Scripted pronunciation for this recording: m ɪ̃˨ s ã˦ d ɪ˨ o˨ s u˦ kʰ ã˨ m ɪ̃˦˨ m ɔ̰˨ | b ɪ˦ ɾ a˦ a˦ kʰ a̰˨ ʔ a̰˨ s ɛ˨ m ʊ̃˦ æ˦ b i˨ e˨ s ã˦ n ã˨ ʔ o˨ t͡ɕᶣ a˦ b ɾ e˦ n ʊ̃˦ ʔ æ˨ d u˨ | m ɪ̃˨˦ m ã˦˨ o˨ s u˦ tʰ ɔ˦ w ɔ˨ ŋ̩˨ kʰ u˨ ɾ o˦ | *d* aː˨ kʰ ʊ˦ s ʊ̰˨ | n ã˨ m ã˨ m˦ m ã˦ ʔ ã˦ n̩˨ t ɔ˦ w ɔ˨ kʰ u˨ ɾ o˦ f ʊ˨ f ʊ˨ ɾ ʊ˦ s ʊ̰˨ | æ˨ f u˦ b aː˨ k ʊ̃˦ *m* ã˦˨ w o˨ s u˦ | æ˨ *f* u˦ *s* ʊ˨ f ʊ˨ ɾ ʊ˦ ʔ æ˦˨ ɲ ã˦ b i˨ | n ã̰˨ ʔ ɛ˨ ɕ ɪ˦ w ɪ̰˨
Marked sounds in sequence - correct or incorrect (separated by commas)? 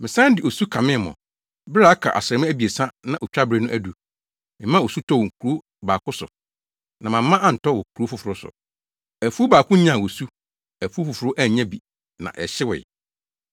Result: incorrect, incorrect, correct, incorrect